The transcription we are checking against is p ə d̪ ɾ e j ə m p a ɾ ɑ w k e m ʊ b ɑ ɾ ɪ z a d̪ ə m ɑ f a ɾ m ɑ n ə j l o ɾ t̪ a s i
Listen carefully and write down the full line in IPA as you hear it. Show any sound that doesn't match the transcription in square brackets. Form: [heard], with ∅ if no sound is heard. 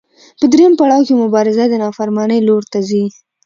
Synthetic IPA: p ə d̪ ɾ e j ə m p a [ɽ] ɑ w k e m ʊ b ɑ ɾ ɪ z a d̪ ə [n] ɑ f a ɾ m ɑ n ə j l o ɾ t̪ a [z] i